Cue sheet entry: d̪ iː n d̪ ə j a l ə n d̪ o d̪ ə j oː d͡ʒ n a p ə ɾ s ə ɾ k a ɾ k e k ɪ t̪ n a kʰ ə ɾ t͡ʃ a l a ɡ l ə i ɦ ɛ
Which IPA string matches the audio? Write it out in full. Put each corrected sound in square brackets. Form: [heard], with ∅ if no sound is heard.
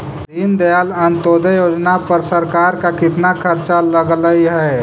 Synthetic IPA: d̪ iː n d̪ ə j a l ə n [t̪] o d̪ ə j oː d͡ʒ n a p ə ɾ s ə ɾ k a ɾ k [a] k ɪ t̪ n a kʰ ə ɾ t͡ʃ a l [ə] ɡ l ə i ɦ ɛ